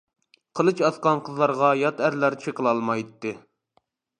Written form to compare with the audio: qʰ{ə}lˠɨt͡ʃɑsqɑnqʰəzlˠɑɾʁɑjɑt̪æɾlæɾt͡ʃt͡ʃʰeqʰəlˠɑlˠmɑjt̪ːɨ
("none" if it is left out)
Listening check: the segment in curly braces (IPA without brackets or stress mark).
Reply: ə